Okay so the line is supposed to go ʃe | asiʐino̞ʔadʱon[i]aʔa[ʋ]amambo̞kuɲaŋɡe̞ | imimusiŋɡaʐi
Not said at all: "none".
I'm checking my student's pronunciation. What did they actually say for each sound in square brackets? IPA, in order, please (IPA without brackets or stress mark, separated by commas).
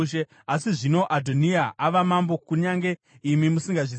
i, ʋ